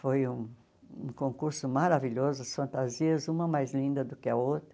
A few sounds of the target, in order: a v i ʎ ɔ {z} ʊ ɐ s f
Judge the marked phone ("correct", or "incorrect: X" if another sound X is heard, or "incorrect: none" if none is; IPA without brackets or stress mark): correct